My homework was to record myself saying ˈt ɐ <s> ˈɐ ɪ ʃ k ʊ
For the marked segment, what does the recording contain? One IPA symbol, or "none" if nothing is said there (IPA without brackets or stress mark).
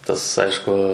s